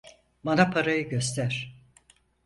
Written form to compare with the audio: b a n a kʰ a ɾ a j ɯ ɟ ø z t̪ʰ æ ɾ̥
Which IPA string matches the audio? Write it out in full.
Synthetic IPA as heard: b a n a pʰ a ɾ a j ɯ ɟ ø s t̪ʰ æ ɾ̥